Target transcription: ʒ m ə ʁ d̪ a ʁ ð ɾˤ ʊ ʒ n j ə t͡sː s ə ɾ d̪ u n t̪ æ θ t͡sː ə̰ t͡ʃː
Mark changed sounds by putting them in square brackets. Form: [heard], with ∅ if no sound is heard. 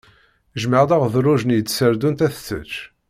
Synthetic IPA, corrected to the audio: ʒ m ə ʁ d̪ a ʁ ð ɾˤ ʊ ʒ n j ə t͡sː s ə ɾ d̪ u n t̪ æ θ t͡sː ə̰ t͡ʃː